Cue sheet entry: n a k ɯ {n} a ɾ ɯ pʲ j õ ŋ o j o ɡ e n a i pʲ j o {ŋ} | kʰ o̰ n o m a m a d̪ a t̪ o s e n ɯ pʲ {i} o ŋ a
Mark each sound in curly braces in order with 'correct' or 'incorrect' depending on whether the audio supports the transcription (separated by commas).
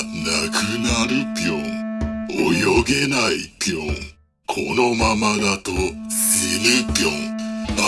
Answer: correct, correct, incorrect